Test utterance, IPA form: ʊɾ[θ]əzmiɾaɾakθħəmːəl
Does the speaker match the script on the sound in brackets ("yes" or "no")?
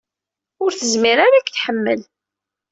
yes